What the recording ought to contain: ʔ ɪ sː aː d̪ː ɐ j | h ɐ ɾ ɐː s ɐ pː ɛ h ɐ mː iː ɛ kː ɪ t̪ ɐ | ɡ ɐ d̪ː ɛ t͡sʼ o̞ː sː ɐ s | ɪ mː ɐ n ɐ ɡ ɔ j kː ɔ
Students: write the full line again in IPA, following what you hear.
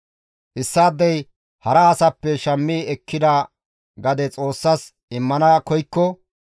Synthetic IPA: ʔ ɪ sː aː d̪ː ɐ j | h ɐ ɾ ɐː s ɐ pː ɛ ʃ ɐ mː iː ɛ kː ɪ d̪ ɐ | ɡ ɐ d̪ ɛ t͡sʼ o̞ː sː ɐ s | ɪ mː ɐ n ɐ k ɔ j kː ɔ